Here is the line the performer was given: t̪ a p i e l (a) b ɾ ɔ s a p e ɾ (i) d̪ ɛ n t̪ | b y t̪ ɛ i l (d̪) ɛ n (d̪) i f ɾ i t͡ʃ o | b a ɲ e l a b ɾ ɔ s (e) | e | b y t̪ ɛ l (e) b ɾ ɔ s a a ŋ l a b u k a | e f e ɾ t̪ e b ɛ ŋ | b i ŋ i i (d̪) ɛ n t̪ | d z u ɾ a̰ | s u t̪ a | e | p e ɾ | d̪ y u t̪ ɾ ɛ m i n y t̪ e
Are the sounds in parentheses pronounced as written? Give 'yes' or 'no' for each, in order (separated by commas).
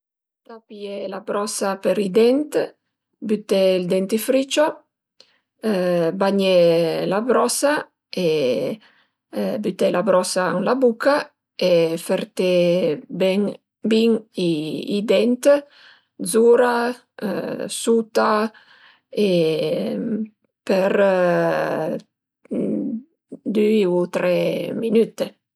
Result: yes, yes, yes, no, no, no, yes